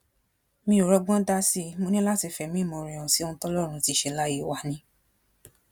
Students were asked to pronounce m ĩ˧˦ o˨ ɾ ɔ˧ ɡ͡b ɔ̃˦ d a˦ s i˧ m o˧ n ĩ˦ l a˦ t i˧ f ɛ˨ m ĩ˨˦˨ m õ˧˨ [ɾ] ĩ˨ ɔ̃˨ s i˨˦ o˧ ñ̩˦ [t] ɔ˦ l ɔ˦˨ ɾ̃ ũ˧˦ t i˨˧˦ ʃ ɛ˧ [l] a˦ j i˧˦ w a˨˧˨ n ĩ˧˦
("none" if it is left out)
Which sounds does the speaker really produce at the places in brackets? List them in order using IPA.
ɾ, t, l

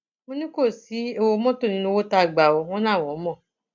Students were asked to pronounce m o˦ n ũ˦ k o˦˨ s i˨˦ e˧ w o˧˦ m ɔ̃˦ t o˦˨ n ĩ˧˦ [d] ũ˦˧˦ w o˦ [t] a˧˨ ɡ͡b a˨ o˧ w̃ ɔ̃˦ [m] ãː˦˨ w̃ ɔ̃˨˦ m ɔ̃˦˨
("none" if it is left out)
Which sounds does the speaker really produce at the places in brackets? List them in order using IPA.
n, t, n

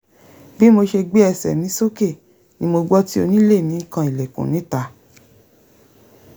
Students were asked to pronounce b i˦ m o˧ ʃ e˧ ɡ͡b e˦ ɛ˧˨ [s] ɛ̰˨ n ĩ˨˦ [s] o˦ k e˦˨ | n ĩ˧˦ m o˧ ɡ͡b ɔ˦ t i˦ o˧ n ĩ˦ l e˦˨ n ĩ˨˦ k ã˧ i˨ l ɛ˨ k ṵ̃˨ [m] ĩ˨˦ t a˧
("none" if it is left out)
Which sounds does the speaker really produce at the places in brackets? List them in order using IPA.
s, s, n

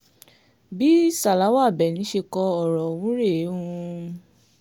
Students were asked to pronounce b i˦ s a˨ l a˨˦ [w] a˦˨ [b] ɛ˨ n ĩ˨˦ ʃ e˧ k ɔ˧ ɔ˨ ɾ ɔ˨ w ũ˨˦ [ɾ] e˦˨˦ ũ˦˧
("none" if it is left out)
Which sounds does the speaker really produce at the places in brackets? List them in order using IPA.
w, b, ɾ

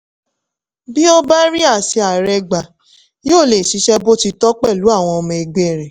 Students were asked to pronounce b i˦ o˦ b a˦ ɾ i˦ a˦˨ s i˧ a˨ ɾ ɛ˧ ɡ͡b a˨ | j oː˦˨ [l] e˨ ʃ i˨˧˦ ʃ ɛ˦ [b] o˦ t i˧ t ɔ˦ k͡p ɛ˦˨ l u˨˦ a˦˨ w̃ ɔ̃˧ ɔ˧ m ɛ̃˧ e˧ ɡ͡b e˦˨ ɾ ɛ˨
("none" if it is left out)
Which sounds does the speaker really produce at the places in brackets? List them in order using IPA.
l, b

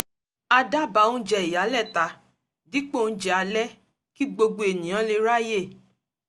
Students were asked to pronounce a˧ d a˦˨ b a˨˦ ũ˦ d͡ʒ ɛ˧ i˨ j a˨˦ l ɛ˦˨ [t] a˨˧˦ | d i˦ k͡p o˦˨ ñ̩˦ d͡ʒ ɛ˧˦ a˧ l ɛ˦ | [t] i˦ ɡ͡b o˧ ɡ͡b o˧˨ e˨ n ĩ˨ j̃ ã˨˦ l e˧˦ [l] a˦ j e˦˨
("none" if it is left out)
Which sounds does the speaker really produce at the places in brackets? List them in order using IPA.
t, k, ɾ

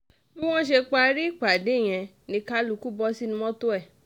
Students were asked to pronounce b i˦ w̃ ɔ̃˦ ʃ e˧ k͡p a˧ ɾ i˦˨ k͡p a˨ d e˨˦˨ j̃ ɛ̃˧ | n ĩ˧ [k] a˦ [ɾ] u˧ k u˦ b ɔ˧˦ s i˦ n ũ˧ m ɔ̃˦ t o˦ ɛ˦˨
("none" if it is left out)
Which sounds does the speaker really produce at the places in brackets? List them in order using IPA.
k, l

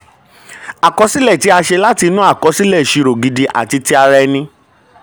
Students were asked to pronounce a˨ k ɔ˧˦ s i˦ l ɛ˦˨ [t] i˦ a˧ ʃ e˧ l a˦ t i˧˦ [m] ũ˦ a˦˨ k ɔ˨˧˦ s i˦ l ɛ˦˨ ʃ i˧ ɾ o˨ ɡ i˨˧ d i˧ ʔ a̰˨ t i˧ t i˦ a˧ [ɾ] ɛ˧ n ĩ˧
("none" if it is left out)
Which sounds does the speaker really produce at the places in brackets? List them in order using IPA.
t, n, ɾ

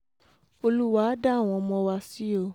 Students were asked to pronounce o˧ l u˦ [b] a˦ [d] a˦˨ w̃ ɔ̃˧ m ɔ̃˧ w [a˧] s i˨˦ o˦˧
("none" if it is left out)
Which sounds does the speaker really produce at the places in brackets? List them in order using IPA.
w, d, a˧

